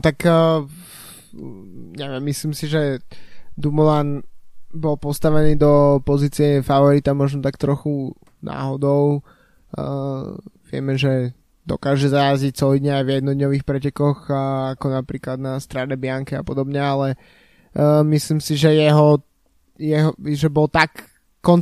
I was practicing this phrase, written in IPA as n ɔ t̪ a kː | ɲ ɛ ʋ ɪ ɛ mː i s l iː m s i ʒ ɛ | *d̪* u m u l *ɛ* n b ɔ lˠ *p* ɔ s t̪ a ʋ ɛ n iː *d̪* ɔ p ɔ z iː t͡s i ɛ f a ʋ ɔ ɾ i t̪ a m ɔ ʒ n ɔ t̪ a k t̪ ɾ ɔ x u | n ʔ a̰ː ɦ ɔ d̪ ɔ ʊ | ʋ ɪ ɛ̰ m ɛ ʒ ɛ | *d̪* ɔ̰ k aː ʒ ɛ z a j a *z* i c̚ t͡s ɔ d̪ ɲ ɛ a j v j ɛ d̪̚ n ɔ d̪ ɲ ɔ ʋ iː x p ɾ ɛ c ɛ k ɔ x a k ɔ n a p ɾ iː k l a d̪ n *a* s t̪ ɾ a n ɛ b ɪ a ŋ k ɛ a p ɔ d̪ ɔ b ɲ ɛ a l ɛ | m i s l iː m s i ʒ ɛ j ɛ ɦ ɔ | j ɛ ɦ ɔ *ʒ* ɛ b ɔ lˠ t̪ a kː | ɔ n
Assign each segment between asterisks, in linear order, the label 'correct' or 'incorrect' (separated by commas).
correct, incorrect, correct, correct, correct, correct, correct, correct